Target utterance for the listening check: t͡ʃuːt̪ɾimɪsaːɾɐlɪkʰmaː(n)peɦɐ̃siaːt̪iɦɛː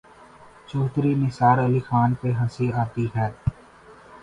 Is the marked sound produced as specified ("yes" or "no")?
yes